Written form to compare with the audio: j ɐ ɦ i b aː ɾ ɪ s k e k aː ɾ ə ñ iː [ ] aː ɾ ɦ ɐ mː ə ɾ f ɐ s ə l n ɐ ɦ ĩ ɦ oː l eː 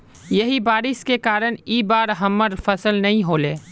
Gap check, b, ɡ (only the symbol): b